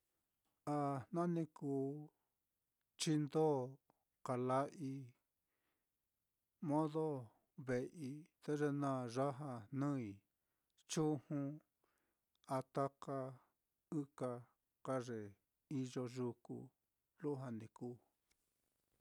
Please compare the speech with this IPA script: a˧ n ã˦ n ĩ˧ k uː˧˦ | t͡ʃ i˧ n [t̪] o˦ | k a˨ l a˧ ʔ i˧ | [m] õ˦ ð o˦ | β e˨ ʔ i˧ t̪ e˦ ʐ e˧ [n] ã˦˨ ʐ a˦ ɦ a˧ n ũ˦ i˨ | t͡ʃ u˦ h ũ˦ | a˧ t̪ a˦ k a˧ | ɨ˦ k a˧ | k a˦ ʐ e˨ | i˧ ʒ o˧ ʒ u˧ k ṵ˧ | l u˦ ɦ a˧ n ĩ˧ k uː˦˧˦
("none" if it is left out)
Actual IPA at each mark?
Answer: d̪, m, n

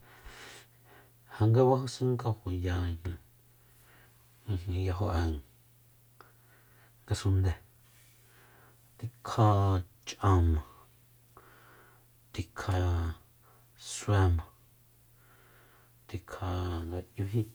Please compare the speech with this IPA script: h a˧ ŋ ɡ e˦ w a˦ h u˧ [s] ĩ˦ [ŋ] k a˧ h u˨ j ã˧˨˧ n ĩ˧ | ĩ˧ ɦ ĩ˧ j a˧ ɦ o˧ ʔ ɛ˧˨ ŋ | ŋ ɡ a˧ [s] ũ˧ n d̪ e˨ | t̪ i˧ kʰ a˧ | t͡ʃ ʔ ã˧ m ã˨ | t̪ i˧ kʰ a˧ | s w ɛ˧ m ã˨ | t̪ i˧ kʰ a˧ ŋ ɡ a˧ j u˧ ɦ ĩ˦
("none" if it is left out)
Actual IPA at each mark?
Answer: s, ŋ, s

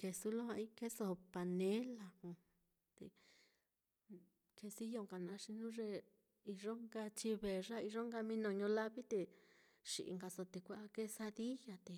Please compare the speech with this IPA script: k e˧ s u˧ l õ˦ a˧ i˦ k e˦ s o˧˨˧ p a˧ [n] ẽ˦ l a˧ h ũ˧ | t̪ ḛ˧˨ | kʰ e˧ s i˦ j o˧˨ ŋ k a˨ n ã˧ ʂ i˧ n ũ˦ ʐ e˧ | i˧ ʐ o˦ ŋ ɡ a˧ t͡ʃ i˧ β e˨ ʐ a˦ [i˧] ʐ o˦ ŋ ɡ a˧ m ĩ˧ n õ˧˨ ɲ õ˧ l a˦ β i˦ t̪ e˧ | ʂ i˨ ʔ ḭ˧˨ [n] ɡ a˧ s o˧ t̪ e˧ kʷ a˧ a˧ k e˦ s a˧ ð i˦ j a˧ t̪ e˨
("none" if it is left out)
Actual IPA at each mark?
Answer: n, i˧, ŋ

